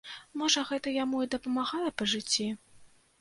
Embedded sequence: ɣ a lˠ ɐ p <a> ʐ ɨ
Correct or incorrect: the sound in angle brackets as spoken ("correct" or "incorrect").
incorrect